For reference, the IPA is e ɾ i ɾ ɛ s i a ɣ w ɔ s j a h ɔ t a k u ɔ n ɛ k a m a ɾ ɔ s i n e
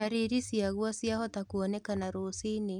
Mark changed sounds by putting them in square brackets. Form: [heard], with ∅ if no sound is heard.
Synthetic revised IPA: [a] ɾ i ɾ [i] s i a ɣ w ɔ s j a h ɔ t a k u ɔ n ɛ k a [n] a ɾ [o] s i n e